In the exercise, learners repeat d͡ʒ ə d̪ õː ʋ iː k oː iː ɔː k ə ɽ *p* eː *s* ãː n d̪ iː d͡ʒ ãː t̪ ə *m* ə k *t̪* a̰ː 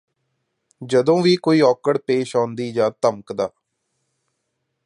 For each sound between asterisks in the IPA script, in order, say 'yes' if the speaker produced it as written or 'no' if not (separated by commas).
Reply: yes, no, yes, no